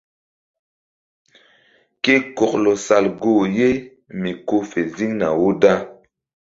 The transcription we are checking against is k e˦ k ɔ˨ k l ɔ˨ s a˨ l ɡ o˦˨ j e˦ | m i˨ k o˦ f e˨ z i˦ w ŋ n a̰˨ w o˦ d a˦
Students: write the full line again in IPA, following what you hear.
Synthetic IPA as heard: k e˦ k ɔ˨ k l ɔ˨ s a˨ l ɡ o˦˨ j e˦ | m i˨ k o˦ f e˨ z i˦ ŋ n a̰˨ w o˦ d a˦